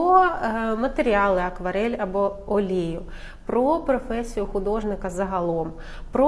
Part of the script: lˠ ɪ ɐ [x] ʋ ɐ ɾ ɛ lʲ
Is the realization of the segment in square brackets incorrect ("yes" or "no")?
yes